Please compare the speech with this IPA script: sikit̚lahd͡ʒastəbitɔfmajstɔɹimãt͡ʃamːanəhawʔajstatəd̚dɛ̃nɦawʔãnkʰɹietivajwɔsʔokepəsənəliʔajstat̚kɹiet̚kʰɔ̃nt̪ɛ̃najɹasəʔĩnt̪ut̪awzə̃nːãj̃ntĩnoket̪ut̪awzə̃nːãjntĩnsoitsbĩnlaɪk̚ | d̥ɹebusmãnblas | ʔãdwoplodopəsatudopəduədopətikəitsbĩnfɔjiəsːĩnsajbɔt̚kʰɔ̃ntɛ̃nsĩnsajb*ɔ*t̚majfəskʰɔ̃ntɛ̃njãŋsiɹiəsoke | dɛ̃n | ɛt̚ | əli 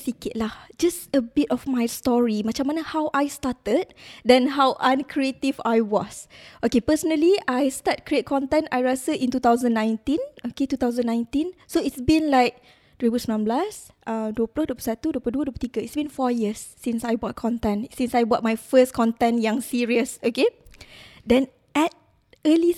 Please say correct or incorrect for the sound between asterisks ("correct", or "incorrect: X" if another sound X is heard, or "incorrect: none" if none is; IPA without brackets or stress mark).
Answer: correct